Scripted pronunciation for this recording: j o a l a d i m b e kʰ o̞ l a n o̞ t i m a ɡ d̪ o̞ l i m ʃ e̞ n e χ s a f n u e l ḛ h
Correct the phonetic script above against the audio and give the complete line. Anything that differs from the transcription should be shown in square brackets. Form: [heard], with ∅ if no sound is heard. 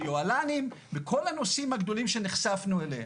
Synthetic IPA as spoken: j o a l a [n] i m b e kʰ o̞ l a n o̞ [s] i m a ɡ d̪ o̞ l i m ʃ e̞ n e χ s a f n u e l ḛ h